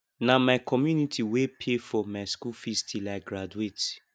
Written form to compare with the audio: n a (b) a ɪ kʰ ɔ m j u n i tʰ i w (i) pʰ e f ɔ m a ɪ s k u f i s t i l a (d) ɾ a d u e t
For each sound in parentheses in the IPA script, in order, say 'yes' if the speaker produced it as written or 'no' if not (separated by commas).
no, no, no